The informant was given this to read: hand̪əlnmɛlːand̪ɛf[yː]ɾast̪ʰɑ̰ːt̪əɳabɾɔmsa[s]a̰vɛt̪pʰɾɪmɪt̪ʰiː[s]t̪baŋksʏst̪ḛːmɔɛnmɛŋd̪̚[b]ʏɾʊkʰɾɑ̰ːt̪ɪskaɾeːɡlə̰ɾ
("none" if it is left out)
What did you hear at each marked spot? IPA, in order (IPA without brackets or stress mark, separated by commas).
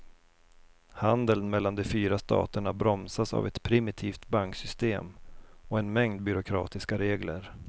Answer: yː, s, f, b